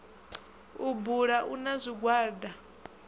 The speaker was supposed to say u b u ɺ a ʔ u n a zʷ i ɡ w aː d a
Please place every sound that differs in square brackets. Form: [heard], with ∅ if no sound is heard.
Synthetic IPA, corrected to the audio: u b u ɺ a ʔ u n a zʷ i ɡ w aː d a